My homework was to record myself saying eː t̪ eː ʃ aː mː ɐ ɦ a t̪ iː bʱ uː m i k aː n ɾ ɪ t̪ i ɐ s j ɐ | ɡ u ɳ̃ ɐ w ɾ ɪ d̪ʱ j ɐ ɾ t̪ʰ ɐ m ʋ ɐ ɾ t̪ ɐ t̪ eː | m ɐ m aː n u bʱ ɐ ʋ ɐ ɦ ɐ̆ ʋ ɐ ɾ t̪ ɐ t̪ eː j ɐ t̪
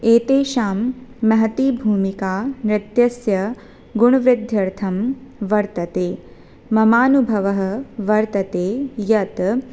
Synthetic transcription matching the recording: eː t̪ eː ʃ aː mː ɐ ɦ ɐ t̪ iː bʱ uː m i k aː n ɾ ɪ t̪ j ɐ s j ɐ | ɡ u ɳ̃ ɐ ʋ ɾ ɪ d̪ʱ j ɐ ɾ t̪ʰ ɐ m ʋ ɐ ɾ t̪ ɐ t̪ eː | m ɐ m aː n u bʱ ɐ ʋ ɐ ɦ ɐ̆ ʋ ɐ ɾ t̪ ɐ t̪ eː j ɐ t̪

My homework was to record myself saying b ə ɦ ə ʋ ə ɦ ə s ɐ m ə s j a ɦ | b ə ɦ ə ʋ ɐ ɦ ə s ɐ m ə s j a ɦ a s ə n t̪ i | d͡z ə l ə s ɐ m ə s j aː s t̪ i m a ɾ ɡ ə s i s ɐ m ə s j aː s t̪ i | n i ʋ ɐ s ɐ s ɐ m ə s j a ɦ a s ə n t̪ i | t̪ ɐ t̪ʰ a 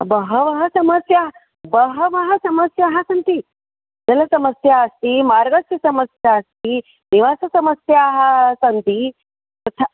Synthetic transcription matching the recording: b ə ɦ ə ʋ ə ɦ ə s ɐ m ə s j a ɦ | b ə ɦ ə ʋ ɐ ɦ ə s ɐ m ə s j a ɦ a s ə n t̪ i | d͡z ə l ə s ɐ m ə s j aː s t̪ i m a ɾ ɡ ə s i s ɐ m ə s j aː s t̪ i | n i ʋ a s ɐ s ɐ m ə s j a ɦ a s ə n t̪ i | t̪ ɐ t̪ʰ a

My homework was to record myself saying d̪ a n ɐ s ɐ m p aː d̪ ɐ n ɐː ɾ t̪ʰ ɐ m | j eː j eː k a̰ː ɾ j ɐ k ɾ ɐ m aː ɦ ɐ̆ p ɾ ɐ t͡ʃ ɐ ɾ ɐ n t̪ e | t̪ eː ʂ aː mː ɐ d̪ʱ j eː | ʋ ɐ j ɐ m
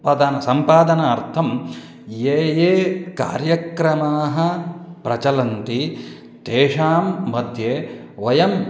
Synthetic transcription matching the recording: d̪ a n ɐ s ɐ m p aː d̪ ɐ n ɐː ɾ t̪ʰ ɐ m | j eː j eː k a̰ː ɾ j ɐ k ɾ ɐ m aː ɦ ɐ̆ p ɾ ɐ t͡ʃ ɐ l ɐ n t̪ i | t̪ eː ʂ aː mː ɐ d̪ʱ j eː | ʋ ɐ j ɐ m

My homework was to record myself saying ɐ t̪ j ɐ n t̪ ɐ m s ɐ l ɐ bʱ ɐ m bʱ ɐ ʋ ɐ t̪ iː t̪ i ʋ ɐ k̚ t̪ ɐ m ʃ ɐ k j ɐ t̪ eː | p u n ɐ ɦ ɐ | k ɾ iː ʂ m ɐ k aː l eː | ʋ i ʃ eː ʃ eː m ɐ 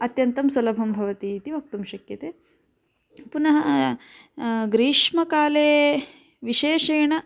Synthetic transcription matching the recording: ɐ t̪ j ɐ n t̪ ɐ m s ɐ l ɐ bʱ ɐ m bʱ ɐ ʋ ɐ t̪ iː t̪ i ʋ ɐ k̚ t̪ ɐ m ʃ ɐ k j ɐ t̪ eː | p u n ɐ ɦ ɐ | ɡ ɾ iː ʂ m ɐ k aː l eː | ʋ i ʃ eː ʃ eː ɳ ɐ

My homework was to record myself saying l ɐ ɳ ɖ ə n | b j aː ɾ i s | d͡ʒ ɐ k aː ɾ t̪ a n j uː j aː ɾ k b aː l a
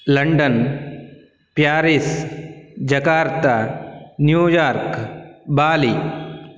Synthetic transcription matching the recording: l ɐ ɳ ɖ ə n | p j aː ɾ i s | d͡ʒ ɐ k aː ɾ t̪ a n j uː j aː ɾ k b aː l i

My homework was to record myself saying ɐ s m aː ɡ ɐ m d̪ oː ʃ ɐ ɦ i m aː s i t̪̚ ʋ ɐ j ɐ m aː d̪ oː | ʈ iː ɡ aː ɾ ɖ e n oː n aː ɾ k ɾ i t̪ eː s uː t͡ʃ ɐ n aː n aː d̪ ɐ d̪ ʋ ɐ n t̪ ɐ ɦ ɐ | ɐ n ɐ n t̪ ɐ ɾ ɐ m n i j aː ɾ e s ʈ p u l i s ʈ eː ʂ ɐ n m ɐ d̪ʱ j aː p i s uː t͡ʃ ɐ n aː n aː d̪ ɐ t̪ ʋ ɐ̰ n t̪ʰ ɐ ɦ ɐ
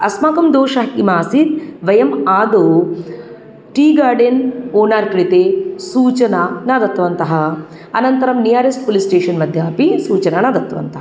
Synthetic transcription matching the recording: ɐ s m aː k ɐ m d̪ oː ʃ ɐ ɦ i m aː s i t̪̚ ʋ ɐ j ɐ m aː d̪ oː | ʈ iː ɡ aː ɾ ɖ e n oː n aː ɾ k ɾ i t̪ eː s uː t͡ʃ ɐ n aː n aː d̪ ɐ t̪ ʋ ɐ n t̪ ɐ ɦ ɐ | ɐ n ɐ n t̪ ɐ ɾ ɐ m n i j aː ɾ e s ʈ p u l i s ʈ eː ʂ ɐ n m ɐ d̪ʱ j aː p i s uː t͡ʃ ɐ n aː n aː d̪ ɐ t̪ ʋ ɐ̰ n t̪ ɐ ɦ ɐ

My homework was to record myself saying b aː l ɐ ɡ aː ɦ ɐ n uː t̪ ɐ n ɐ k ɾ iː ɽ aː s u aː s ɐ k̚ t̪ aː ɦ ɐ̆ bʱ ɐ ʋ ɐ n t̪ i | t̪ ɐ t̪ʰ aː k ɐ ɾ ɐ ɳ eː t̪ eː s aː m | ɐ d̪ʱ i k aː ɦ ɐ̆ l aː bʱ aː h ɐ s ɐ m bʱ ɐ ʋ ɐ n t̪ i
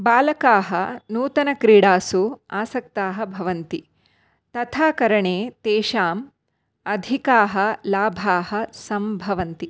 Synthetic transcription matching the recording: b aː l ɐ k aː ɦ ɐ n uː t̪ ɐ n ɐ k ɾ iː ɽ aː s u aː s ɐ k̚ t̪ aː ɦ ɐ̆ bʱ ɐ ʋ ɐ n t̪ i | t̪ ɐ t̪ʰ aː k ɐ ɾ ɐ ɳ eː t̪ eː ʃ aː m | ɐ d̪ʱ i k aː ɦ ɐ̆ l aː bʱ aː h ɐ s ɐ m bʱ ɐ ʋ ɐ n t̪ i

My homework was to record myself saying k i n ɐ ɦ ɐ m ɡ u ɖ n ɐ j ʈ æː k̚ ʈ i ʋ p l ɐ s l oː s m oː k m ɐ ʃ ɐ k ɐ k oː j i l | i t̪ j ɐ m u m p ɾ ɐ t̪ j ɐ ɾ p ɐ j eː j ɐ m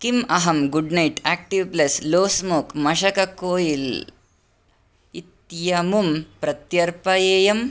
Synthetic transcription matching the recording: k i m ɐ ɦ ɐ m ɡ u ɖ n ɐ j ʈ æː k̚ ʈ i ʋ p l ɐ s l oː s m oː k m ɐ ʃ ɐ k ɐ k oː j i l | i t̪ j ɐ m u m p ɾ ɐ t̪ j ɐ ɾ p ɐ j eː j ɐ m

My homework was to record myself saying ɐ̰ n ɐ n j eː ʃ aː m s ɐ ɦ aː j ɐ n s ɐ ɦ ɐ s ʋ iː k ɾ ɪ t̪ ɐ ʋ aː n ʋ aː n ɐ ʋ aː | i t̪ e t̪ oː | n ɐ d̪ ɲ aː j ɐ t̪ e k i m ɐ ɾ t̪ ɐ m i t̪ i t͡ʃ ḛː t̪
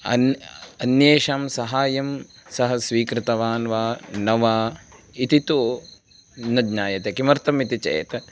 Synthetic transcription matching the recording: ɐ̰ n ɐ n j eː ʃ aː m s ɐ ɦ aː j ɐ m s ɐ ɦ ɐ s ʋ iː k ɾ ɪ t̪ ɐ ʋ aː n ʋ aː n ɐ ʋ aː | i t̪ i t̪ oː | n ɐ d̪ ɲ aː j ɐ t̪ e k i m ɐ ɾ t̪ ɐ m i t̪ i t͡ʃ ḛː t̪

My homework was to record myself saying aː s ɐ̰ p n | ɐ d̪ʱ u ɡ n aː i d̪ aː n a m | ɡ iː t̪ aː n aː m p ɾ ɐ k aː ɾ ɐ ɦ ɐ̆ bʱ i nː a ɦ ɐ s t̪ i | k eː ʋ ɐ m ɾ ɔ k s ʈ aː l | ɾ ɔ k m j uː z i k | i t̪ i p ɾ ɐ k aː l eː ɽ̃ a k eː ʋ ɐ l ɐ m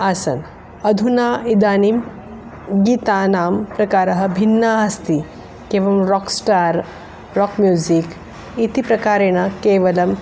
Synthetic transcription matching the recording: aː s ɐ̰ n | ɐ d̪ʱ u n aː i d̪ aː n i m | ɡ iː t̪ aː n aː m p ɾ ɐ k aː ɾ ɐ ɦ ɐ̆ bʱ i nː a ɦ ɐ s t̪ i | k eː ʋ ɐ m ɾ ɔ k s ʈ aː ɾ | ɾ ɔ k m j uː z i k | i t̪ i p ɾ ɐ k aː ɾ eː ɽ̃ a k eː ʋ ɐ l ɐ m

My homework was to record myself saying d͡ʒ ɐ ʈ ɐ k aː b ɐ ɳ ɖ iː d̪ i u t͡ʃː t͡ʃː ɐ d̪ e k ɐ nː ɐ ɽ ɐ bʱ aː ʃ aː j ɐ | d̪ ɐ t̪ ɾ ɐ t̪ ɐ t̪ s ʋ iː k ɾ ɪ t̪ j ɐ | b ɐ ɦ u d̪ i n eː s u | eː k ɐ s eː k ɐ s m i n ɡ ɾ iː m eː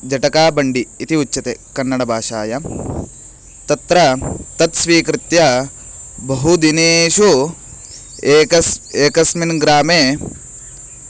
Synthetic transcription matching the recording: d͡ʒ ɐ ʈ ɐ k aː b ɐ ɳ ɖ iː t̪ i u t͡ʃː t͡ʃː ɐ t̪ e k ɐ nː ɐ ɽ ɐ bʱ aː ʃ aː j ɐ | t̪ ɐ t̪ ɾ ɐ t̪ ɐ t̪ s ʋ iː k ɾ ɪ t̪ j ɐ | b ɐ ɦ u d̪ i n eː ʃ u | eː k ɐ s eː k ɐ s m i n ɡ ɾ aː m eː

